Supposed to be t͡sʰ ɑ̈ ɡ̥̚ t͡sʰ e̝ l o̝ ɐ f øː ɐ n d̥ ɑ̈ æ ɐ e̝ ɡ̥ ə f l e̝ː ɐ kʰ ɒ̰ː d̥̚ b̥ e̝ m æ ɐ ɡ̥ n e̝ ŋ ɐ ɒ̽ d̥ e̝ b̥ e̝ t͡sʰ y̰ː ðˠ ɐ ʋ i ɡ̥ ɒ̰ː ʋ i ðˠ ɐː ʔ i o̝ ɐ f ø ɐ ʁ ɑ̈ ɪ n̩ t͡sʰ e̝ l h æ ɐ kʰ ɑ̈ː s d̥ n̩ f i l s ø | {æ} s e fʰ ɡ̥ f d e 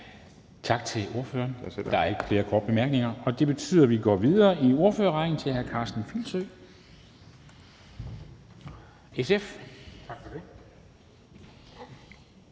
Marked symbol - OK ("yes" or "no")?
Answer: no